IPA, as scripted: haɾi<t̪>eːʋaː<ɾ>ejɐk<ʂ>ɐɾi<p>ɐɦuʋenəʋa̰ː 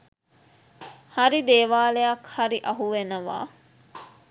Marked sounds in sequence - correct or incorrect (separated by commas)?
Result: incorrect, incorrect, incorrect, incorrect